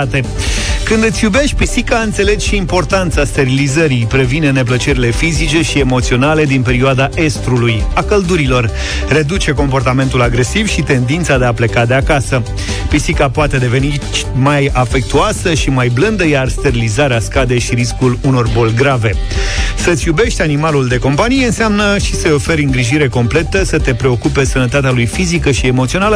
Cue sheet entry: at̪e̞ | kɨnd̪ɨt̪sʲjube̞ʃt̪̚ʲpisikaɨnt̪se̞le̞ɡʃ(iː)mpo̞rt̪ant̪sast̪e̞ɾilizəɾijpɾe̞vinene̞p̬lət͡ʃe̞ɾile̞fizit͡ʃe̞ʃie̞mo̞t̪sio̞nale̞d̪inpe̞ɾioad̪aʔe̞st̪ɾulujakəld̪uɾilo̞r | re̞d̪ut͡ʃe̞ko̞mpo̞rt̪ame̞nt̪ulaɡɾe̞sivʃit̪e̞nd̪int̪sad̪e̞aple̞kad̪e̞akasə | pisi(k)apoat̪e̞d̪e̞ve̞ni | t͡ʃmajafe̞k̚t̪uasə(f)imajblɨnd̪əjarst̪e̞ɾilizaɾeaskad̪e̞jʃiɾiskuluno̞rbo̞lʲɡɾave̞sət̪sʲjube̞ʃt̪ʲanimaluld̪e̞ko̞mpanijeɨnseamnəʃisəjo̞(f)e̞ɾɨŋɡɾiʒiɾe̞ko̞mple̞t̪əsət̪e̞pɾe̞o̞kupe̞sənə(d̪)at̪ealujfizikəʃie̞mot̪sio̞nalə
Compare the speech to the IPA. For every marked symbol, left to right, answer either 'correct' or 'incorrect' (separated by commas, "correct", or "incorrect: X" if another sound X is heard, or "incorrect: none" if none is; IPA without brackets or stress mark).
correct, correct, incorrect: ʃ, correct, incorrect: t̪